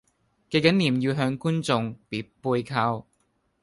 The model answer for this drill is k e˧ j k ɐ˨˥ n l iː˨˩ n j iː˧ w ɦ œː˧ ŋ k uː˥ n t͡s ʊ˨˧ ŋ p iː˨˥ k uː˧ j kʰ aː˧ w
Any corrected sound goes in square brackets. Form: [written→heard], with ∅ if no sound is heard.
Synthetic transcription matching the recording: k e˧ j k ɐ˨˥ n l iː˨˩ [n→m] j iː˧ w ɦ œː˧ ŋ k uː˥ n t͡s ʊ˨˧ ŋ p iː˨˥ [k→p] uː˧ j kʰ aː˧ w